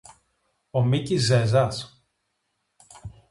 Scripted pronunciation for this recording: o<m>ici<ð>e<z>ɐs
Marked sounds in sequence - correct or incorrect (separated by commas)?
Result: correct, incorrect, correct